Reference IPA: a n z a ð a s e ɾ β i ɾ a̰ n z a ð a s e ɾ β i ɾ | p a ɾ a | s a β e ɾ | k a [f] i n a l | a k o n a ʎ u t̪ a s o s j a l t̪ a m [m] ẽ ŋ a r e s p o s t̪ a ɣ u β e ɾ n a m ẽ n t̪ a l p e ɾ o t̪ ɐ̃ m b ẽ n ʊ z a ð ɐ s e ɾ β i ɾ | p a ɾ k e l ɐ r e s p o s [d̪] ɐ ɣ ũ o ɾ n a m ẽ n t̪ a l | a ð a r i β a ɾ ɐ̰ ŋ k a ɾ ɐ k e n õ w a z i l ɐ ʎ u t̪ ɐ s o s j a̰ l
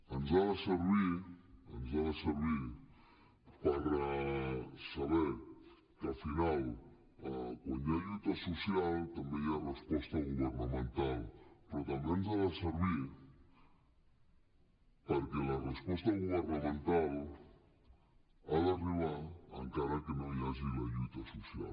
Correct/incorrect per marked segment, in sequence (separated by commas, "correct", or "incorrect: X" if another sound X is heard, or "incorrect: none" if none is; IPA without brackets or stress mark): correct, incorrect: b, incorrect: t̪